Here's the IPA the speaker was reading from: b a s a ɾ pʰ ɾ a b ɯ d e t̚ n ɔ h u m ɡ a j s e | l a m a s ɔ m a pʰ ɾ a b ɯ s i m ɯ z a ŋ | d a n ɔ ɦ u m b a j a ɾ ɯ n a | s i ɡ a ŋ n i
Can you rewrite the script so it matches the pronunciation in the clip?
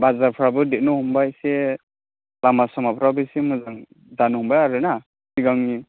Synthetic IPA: b a z a ɾ pʰ ɾ a b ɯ d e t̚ n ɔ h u m b a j s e | l a m a s ɔ m a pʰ ɾ a b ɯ s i m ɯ z a ŋ | d a n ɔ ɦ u m b a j a ɾ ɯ n a | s i ɡ a ŋ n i